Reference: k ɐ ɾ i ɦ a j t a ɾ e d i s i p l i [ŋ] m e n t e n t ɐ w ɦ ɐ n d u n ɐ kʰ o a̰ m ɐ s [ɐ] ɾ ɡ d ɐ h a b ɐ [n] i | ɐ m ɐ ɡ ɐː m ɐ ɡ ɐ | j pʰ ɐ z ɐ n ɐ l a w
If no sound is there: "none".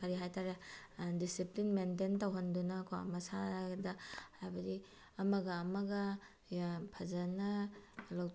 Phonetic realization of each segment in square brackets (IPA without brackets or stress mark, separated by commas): n, a, d